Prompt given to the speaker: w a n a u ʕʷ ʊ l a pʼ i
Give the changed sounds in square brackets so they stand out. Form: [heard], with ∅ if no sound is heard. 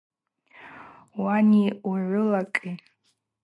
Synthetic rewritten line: w a n [i] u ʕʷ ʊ l a [kʼ] i